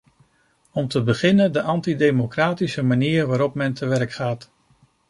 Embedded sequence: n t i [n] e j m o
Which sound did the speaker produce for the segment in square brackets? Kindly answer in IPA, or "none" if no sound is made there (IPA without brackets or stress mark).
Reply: d